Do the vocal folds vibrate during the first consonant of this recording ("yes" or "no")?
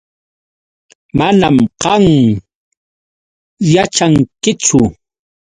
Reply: yes